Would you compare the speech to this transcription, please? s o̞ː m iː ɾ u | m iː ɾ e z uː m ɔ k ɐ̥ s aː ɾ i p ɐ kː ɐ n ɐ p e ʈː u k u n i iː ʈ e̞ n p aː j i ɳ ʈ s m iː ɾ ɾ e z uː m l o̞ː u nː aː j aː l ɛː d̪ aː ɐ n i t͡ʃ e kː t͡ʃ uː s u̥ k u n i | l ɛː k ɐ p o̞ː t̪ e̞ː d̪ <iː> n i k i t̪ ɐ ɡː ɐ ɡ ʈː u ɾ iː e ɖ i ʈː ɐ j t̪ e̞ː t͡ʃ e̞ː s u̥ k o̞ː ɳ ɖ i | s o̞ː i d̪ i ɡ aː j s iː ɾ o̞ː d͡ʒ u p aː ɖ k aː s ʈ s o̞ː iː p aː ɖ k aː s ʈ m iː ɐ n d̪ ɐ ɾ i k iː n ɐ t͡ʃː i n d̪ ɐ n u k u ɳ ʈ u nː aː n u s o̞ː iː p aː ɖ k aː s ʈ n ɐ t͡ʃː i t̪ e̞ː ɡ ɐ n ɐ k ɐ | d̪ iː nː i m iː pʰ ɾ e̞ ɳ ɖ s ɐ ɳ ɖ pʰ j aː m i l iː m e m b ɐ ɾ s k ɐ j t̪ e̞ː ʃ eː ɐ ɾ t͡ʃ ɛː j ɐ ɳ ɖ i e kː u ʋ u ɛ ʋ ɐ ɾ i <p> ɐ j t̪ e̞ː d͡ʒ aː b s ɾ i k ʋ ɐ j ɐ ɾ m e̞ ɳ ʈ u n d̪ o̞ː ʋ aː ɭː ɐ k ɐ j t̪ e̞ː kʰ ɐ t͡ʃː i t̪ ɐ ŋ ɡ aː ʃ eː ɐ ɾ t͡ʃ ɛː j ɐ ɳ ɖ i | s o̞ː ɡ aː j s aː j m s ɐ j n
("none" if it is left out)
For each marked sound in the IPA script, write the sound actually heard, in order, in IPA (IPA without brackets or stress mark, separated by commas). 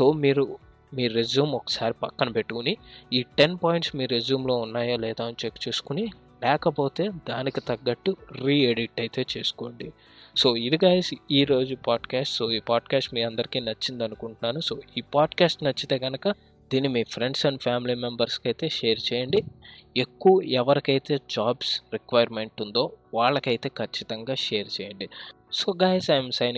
aː, k